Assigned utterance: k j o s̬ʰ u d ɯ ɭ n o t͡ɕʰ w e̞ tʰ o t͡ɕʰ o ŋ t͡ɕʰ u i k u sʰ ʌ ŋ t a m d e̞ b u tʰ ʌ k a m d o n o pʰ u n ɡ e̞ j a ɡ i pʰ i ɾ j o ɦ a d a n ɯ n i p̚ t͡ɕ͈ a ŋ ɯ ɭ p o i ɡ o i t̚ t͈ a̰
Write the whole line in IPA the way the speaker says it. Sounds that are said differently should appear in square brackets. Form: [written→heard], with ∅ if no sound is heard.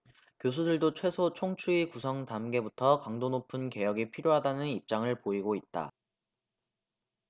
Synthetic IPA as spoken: k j o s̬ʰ u d ɯ ɭ [n→d] o t͡ɕʰ w e̞ [tʰ→sʰ] o t͡ɕʰ o ŋ t͡ɕʰ u i k u sʰ ʌ ŋ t a m [d→ɡ] e̞ b u tʰ ʌ k a [m→ŋ] d o n o pʰ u n [ɡ→k] e̞ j [a→ʌ] ɡ i pʰ i ɾ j o ɦ a d a n ɯ n i p̚ t͡ɕ͈ a ŋ ɯ ɭ p o i ɡ o i t̚ t͈ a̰